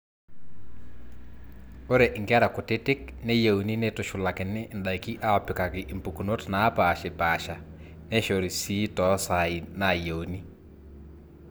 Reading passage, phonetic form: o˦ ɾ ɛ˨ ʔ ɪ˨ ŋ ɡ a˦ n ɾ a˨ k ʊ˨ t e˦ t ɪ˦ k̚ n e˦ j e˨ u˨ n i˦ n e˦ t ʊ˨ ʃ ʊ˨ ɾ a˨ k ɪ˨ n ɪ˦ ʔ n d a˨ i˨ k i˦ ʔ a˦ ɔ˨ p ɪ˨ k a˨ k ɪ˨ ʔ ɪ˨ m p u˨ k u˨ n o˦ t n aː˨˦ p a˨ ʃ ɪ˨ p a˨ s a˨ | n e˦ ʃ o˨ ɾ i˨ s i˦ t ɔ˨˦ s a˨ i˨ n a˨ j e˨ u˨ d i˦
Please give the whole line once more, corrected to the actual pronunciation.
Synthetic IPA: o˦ ɾ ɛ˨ ʔ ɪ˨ ŋ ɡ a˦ ɾ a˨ k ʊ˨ t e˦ t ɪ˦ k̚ n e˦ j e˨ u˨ n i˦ n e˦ t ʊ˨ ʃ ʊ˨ l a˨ k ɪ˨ n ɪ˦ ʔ n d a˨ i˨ k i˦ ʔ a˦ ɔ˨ p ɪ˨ k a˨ k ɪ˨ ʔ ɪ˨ m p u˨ k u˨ n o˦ t n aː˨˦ p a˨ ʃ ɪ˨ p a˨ ʃ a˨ | n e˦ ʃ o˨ ɾ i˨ s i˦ t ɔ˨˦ s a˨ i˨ n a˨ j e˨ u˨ n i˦